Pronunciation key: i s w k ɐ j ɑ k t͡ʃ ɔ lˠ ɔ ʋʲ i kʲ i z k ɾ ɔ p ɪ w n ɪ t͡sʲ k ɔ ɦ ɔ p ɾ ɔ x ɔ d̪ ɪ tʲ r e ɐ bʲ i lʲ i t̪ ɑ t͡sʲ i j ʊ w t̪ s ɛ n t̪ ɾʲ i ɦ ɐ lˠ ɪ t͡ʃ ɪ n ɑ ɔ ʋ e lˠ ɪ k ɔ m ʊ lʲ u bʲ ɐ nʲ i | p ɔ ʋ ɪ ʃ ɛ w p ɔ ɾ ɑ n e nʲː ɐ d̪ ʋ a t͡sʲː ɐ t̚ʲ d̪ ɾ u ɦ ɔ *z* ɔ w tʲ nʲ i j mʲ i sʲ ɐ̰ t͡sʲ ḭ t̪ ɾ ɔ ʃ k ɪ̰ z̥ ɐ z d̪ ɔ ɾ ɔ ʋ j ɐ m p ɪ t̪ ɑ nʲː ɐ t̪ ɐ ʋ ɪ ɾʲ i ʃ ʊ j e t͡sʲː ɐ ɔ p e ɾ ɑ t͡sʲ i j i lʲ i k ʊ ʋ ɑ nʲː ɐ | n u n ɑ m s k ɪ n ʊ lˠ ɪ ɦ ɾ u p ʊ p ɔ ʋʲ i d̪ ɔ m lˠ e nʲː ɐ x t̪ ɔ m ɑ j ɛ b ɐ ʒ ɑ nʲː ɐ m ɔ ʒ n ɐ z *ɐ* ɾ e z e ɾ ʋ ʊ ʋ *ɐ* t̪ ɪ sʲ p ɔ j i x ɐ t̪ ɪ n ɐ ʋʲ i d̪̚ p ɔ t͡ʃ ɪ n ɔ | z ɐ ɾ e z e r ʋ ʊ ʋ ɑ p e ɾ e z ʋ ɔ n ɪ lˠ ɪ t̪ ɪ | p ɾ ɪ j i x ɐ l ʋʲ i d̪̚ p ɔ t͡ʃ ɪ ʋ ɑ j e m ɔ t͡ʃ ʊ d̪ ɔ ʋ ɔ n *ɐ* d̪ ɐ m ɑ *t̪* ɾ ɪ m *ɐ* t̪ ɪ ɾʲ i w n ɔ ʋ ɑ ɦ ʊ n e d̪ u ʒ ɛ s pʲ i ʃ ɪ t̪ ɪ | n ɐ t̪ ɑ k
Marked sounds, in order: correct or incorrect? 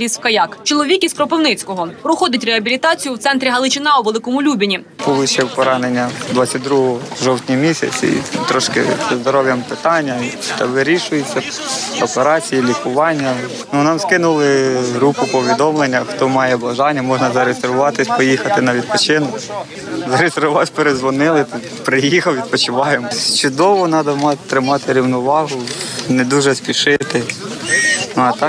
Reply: incorrect: ʒ, correct, incorrect: ɑ, incorrect: ɑ, correct, incorrect: ɑ

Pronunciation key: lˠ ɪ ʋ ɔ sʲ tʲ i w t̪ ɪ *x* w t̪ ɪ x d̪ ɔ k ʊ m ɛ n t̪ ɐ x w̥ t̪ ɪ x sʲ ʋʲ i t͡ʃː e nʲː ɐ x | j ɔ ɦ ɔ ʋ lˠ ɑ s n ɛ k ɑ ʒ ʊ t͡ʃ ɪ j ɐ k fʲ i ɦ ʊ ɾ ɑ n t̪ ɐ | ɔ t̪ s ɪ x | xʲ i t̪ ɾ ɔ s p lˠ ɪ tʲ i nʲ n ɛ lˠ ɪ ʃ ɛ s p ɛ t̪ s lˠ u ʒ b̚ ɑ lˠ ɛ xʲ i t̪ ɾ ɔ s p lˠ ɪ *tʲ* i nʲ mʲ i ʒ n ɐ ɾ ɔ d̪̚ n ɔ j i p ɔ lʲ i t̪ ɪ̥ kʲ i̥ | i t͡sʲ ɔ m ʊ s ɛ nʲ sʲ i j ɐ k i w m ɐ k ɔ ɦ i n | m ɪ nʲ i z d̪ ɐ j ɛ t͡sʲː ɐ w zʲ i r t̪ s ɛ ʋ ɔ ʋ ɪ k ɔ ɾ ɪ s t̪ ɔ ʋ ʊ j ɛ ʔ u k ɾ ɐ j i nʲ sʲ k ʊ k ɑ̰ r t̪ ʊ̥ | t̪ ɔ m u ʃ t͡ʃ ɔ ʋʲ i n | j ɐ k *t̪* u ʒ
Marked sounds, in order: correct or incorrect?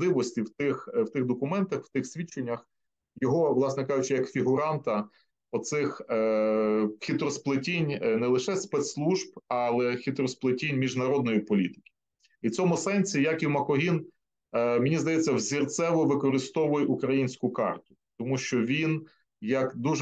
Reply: correct, correct, incorrect: d̪

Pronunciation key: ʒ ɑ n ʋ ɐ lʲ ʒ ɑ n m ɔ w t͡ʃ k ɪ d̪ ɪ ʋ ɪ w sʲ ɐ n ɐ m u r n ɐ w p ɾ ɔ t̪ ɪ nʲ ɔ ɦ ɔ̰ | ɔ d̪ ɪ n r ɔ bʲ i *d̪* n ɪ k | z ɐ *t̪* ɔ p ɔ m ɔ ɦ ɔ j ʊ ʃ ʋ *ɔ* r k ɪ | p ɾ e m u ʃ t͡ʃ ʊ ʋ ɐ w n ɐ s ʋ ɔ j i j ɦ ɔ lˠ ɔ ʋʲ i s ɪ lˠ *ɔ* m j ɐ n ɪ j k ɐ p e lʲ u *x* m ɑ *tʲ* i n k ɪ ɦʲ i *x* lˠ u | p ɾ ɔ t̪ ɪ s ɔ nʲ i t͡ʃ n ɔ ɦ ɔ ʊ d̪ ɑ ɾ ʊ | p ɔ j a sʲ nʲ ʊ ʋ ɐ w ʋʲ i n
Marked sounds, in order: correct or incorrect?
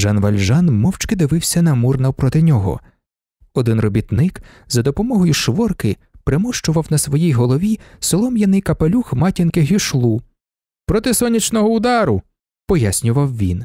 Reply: incorrect: t̪, incorrect: d̪, correct, correct, correct, correct, incorrect: ʃ

